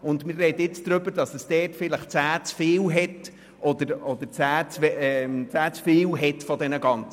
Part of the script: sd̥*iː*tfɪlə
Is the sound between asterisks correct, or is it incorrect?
incorrect